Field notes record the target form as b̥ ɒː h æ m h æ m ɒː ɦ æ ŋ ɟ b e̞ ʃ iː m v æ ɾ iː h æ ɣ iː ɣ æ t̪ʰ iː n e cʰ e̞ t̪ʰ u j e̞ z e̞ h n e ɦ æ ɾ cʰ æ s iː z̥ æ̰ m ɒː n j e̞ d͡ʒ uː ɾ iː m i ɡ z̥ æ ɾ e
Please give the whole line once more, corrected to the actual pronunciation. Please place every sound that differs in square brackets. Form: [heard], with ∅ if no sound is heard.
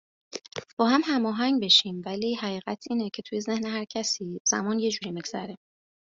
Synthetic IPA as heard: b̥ ɒː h æ m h æ m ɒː ɦ æ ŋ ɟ b e̞ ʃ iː m v æ [l] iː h æ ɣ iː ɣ æ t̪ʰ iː n e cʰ e̞ t̪ʰ u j e̞ z e̞ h n e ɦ æ ɾ cʰ æ s iː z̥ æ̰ m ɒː n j e̞ d͡ʒ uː ɾ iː m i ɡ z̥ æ ɾ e